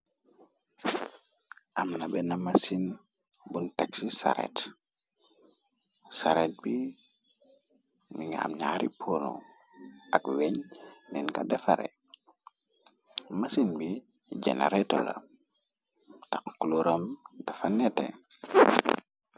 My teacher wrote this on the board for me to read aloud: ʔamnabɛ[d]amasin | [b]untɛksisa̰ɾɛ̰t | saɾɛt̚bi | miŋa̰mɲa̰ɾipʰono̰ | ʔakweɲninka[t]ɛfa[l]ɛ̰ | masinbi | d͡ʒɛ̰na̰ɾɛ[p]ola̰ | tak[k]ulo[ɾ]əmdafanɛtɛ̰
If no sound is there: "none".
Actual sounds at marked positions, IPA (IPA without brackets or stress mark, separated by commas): n, b, d, ɾ, t, k, ɾ